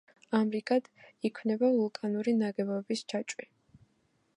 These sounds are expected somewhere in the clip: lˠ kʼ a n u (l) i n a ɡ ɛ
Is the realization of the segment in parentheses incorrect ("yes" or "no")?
yes